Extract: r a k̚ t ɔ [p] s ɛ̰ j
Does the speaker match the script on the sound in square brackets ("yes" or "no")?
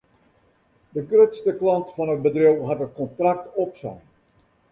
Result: yes